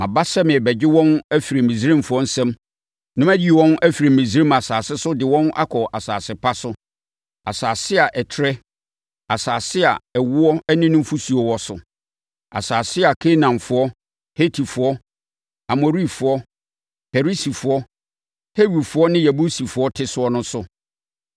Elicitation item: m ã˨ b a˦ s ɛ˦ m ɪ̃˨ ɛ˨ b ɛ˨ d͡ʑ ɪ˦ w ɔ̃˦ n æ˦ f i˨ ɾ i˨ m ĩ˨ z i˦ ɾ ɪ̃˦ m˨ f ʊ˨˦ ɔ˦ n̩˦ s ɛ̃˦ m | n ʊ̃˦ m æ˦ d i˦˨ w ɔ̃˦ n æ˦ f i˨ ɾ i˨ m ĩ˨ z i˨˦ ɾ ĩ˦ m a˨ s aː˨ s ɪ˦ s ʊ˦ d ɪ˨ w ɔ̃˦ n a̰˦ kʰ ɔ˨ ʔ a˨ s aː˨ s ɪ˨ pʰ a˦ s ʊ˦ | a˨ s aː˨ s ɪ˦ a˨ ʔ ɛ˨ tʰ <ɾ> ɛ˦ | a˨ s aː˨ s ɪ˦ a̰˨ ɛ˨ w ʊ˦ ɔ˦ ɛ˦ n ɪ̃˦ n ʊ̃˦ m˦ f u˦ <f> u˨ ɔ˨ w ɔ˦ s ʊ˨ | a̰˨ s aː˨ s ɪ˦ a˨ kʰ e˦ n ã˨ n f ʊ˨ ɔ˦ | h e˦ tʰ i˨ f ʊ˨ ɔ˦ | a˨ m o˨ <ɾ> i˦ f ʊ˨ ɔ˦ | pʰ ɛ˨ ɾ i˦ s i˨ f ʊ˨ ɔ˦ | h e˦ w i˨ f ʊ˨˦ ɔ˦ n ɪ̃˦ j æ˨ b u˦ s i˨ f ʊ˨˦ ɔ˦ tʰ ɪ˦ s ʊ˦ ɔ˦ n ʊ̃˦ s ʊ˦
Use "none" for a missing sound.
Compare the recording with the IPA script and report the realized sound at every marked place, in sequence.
ɾ, s, ɾ

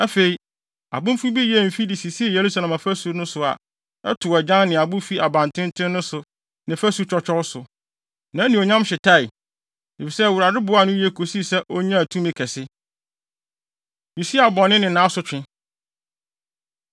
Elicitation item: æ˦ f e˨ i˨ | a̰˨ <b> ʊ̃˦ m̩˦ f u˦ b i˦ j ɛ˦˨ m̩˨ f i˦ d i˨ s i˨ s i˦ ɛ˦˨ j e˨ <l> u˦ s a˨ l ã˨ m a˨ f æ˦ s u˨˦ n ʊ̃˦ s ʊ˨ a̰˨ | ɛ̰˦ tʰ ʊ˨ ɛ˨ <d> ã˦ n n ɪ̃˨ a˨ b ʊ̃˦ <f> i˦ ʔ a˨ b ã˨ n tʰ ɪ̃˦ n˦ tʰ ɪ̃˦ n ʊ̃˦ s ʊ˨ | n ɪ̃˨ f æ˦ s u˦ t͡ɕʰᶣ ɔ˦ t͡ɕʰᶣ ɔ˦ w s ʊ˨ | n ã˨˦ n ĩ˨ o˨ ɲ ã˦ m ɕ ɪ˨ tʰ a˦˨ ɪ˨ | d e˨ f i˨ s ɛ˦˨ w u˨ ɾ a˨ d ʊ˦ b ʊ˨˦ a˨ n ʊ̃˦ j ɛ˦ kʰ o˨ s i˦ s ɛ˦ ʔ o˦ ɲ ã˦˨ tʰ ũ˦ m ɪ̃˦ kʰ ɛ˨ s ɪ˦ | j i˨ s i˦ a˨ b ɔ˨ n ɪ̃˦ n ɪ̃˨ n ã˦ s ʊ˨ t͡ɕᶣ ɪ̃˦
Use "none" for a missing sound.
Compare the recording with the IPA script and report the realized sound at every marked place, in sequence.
b, ɾ, d͡ʑ, f

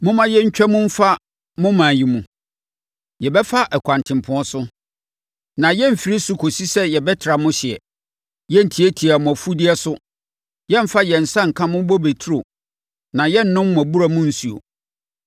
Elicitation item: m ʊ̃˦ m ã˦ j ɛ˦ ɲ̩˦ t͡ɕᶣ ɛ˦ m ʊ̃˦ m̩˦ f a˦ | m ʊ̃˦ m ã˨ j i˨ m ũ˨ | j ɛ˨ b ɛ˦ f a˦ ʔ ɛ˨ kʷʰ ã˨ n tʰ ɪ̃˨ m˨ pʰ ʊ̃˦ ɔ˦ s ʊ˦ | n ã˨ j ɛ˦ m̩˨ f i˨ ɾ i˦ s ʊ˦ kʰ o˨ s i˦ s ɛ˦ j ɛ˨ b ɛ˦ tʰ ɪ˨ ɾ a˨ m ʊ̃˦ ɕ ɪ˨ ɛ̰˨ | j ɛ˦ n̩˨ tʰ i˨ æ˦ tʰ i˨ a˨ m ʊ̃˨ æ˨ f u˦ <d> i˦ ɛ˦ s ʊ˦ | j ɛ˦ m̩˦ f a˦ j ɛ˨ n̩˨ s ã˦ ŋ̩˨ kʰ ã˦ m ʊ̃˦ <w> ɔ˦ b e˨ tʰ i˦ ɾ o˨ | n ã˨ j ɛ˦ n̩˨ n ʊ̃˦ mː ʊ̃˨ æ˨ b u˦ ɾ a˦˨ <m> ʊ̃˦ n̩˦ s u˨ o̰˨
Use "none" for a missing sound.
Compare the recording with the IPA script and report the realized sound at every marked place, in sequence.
d, b, m

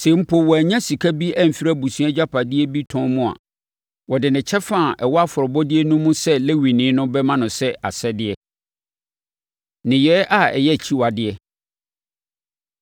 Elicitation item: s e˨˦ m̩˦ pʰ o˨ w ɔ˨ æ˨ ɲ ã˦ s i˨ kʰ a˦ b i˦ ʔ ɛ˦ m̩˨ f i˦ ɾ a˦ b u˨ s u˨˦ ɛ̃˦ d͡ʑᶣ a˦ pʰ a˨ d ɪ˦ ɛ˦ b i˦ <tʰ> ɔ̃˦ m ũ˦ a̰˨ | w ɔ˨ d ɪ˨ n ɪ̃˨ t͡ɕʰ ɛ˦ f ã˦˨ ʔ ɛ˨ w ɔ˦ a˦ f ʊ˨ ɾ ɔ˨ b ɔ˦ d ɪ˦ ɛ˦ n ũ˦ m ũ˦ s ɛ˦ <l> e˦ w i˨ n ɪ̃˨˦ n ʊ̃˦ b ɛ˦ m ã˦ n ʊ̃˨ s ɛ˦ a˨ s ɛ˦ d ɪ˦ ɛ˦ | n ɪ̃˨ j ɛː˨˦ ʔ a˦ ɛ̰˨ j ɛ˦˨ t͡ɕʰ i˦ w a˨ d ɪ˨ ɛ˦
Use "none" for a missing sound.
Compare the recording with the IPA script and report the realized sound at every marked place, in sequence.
tʰ, l

